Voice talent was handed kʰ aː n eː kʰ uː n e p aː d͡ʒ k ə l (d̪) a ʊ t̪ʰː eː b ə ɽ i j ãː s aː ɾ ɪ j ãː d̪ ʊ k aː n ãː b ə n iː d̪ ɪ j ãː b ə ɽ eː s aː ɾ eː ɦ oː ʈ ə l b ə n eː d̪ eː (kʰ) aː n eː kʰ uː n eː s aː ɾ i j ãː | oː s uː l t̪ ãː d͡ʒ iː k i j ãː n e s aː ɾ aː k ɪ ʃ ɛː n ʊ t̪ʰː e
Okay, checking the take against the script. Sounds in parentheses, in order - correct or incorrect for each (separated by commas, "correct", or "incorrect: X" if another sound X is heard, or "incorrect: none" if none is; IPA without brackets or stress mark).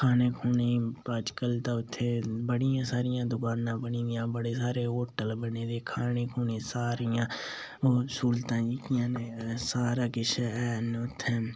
incorrect: t̪, correct